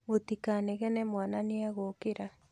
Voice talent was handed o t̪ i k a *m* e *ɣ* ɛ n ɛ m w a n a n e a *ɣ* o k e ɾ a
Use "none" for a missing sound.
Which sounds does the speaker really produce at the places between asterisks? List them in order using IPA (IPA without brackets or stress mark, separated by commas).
n, ɣ, ɣ